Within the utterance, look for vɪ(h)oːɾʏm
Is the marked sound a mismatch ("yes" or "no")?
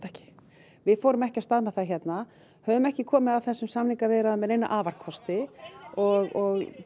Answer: yes